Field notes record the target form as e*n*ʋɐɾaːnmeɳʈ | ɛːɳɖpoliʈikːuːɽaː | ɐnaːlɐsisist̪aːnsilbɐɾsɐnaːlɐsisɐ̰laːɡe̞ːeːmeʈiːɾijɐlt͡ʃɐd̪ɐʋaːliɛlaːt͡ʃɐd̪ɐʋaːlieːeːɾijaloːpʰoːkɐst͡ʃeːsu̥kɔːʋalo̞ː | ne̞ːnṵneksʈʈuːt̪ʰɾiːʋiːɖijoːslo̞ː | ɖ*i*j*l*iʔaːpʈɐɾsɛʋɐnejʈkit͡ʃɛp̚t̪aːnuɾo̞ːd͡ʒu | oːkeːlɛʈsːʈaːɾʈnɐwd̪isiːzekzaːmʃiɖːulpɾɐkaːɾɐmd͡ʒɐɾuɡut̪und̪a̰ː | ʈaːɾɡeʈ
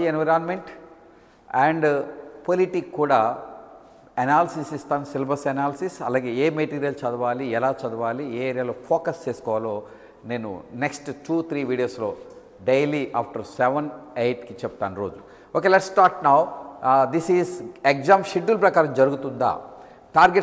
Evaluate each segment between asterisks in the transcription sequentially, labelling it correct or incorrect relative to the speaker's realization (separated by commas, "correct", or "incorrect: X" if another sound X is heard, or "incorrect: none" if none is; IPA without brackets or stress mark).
correct, incorrect: e, correct